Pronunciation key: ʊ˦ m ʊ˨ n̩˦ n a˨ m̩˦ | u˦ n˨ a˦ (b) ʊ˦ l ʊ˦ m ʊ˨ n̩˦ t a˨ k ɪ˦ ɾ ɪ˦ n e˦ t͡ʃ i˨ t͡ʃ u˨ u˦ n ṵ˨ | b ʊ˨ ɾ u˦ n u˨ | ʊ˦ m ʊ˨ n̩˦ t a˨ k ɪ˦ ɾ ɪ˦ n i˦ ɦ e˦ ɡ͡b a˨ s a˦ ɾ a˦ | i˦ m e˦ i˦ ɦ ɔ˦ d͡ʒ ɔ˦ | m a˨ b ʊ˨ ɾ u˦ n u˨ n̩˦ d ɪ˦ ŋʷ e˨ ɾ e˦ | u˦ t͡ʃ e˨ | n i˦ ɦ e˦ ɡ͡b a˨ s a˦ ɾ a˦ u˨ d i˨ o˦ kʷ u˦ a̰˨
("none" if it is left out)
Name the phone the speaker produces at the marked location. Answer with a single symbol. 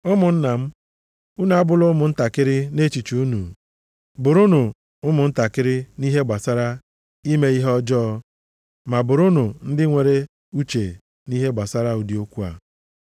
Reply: b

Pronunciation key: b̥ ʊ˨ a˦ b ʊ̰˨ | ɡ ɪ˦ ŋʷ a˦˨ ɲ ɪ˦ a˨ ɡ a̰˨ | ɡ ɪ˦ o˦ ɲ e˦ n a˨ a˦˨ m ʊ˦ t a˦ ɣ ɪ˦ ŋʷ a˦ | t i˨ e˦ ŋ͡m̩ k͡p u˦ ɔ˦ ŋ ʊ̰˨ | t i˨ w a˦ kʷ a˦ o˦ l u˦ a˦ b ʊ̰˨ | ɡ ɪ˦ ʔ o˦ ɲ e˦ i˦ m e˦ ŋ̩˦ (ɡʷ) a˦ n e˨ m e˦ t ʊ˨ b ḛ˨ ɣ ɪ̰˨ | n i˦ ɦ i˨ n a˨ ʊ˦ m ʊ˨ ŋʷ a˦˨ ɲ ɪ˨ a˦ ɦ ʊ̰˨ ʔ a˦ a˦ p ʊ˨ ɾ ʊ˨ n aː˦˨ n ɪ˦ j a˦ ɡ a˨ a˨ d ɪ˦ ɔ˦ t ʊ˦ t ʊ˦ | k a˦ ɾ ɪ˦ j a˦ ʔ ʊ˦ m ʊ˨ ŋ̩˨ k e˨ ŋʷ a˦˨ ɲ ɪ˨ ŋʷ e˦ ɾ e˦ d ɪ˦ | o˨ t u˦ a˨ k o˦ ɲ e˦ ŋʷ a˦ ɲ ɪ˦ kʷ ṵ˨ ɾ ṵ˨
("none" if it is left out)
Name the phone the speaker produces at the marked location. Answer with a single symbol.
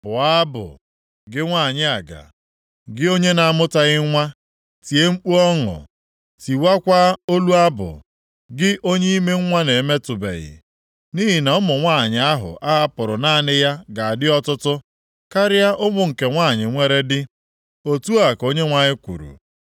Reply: ŋʷ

